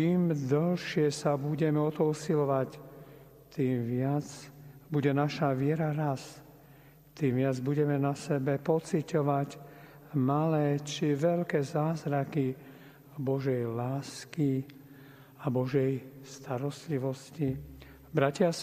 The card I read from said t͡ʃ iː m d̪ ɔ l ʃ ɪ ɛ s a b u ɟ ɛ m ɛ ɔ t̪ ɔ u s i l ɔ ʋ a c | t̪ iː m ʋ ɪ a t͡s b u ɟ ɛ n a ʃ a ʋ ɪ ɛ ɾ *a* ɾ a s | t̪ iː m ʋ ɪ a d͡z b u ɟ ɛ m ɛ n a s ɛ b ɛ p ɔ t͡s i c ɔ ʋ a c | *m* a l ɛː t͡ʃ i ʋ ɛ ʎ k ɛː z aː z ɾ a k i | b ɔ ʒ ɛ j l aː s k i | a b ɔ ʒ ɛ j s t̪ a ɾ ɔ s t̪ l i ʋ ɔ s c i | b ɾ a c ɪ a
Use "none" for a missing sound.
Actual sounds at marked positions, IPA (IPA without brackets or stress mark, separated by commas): a, m